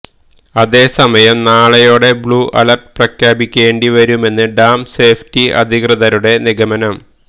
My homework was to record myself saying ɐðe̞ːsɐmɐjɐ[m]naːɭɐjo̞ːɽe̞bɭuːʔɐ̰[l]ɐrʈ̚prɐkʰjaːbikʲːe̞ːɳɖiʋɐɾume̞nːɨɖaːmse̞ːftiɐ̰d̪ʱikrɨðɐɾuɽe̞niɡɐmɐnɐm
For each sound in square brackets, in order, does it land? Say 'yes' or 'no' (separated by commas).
yes, yes